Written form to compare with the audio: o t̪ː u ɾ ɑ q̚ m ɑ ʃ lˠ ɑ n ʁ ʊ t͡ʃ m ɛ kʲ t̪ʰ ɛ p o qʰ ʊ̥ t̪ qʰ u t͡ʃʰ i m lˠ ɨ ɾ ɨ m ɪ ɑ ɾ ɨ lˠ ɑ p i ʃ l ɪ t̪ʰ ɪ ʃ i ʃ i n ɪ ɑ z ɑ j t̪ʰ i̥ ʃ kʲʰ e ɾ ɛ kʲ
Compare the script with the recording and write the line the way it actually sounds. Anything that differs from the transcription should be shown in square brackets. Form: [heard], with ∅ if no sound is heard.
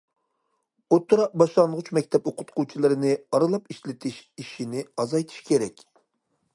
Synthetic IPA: o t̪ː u ɾ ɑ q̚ [b] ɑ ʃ lˠ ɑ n ʁ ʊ t͡ʃ m ɛ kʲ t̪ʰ ɛ p o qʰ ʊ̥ t̪ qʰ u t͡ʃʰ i [∅] lˠ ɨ ɾ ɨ [n] ɪ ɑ ɾ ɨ lˠ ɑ p i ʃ l ɪ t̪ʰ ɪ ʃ i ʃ i n ɪ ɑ z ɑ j t̪ʰ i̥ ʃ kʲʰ e ɾ ɛ kʲ